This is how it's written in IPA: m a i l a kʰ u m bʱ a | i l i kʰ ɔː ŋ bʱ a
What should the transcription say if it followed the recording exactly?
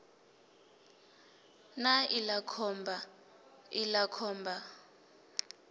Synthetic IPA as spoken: n a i l a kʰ ɔ m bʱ a | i l a kʰ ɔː m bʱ a